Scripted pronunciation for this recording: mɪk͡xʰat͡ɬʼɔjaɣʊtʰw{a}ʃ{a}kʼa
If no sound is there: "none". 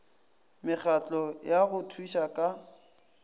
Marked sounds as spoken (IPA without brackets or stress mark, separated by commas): i, a